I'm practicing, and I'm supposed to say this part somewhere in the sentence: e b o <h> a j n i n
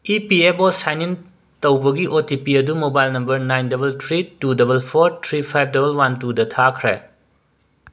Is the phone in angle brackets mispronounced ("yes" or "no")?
yes